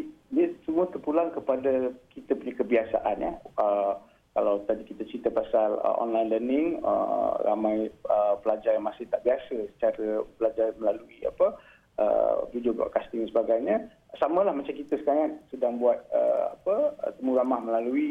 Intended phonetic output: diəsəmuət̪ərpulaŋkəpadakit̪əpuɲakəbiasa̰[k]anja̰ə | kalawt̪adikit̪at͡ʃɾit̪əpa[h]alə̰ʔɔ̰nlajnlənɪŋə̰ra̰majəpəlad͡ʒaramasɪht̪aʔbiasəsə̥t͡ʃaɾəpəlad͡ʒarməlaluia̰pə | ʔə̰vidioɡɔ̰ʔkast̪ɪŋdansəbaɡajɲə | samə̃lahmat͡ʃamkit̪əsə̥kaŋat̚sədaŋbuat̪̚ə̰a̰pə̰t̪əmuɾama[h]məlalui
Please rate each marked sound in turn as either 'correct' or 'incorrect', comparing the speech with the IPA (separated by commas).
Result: incorrect, incorrect, correct